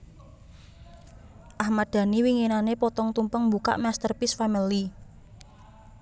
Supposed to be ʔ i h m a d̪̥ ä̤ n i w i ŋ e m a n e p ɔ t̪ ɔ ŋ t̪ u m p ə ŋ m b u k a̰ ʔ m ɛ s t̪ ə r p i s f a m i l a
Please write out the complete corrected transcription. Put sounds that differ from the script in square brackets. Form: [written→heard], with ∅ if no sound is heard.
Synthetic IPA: ʔ [i→a] h m a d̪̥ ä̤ n i w i ŋ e [m→n] a n e p ɔ t̪ ɔ ŋ t̪ u m p ə ŋ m b u k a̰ ʔ m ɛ s t̪ ə r p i s f a m i l [a→i]